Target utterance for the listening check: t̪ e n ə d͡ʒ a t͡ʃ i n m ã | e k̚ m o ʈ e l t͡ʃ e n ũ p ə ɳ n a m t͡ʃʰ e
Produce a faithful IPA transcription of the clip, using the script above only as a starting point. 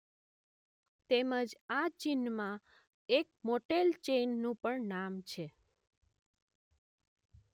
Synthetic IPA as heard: t̪ e m ə d͡ʒ a t͡ʃ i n m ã | e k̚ m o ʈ e l t͡ʃ e nː ũ p ə ɳ n a m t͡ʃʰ e